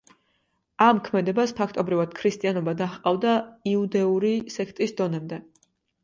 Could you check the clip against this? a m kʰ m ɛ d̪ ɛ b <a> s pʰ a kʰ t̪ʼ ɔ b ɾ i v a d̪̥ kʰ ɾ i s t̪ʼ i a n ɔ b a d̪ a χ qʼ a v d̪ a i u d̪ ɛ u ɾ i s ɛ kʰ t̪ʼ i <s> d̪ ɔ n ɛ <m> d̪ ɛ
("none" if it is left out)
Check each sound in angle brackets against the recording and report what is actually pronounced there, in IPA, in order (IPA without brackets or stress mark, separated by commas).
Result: a, s, m